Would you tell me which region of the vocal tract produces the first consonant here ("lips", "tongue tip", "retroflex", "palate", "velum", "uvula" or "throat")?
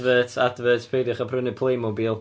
lips